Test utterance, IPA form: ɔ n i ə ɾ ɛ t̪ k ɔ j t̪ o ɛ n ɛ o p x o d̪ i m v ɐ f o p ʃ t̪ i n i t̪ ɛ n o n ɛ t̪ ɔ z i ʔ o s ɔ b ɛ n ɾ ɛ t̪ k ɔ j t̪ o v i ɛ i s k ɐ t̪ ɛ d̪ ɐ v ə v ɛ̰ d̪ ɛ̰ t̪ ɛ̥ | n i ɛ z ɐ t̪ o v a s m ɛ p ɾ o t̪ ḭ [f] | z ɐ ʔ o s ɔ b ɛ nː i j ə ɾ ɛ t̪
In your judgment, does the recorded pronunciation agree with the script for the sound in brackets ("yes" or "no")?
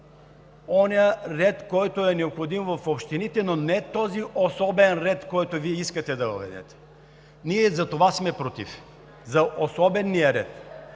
yes